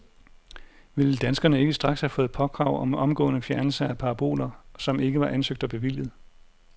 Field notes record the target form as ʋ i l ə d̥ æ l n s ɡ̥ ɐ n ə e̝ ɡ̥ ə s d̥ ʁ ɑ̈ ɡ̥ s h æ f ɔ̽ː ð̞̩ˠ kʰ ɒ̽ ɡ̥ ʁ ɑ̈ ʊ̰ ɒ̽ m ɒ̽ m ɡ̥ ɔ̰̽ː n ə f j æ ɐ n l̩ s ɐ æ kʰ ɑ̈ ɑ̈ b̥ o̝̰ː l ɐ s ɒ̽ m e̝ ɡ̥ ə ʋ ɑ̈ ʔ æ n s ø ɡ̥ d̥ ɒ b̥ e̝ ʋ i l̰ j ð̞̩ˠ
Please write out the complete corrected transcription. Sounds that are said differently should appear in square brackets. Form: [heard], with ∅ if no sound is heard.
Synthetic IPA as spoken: ʋ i l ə d̥ æ [∅] n s ɡ̥ ɐ n ə e̝ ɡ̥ ə s d̥ ʁ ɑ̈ ɡ̥ s h æ f ɔ̽ː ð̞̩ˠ [pʰ] ɒ̽ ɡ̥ ʁ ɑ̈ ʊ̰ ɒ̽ m ɒ̽ m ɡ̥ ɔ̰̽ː n ə f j æ ɐ n l̩ s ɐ æ [pʰ] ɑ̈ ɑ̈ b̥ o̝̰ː l ɐ s ɒ̽ m e̝ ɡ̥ ə ʋ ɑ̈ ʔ æ n s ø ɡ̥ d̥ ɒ b̥ e̝ ʋ i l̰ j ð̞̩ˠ